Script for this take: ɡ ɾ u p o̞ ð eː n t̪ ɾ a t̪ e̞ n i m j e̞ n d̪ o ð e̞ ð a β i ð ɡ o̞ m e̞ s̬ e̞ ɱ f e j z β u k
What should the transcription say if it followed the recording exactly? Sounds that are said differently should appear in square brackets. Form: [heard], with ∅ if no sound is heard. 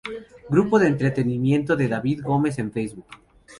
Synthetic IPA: ɡ ɾ u p o̞ ð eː n t̪ ɾ [e] t̪ e̞ n i m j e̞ n [t̪] o ð e̞ ð a β i ð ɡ o̞ m e̞ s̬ e̞ ɱ f e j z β u k